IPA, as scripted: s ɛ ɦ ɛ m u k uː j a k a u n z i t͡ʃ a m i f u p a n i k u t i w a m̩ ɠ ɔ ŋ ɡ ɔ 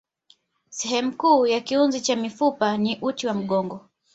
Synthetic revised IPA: s ɛ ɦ ɛ m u k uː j a k i u n z i t͡ʃ a m i f u p a n i ʔ u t i w a m̩ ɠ ɔ ŋ ɡ ɔ